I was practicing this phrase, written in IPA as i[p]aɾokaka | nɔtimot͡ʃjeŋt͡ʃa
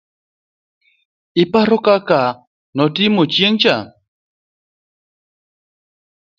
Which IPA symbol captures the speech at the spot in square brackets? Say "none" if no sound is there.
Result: p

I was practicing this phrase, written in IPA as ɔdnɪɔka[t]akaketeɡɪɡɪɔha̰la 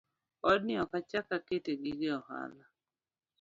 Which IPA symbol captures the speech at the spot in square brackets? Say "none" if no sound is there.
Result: t͡ʃ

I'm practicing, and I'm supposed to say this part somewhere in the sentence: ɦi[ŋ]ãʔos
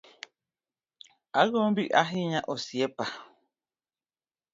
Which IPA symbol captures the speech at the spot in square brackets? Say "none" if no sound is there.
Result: ɲ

